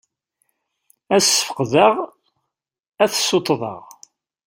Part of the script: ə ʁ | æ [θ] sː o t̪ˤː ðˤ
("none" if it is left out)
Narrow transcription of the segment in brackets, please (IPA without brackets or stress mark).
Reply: θ